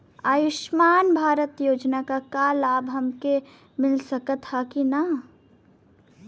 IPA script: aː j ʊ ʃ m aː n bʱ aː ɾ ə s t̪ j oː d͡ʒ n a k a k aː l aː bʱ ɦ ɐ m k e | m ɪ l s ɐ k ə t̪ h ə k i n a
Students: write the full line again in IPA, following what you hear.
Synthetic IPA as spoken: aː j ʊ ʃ m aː n bʱ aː ɾ ə t̪ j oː d͡ʒ n a k a k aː l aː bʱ ɦ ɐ m k e | m ɪ l s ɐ k ə t̪ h a k i n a